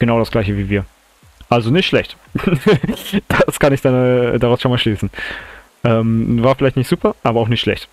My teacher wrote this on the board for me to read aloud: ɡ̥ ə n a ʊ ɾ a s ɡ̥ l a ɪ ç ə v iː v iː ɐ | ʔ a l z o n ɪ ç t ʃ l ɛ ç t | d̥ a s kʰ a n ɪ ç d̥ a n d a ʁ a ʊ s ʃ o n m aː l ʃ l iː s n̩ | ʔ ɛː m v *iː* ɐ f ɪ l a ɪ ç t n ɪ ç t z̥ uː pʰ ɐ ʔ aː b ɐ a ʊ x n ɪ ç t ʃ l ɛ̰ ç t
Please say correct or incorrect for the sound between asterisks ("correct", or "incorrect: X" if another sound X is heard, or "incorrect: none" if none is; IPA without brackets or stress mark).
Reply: incorrect: aː